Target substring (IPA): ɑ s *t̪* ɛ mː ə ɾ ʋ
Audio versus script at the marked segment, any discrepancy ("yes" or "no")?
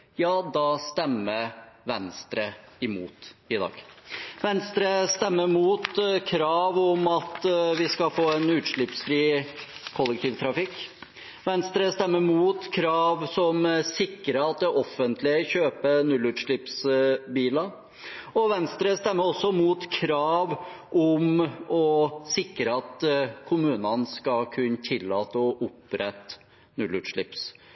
no